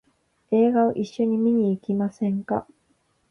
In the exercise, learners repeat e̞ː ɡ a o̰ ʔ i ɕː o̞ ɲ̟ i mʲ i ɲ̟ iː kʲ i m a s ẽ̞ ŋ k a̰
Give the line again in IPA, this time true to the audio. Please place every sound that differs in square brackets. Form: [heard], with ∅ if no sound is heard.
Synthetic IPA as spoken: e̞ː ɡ a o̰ ʔ i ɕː o̞ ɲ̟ i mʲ i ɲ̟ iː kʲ i m a s ẽ̞ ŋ k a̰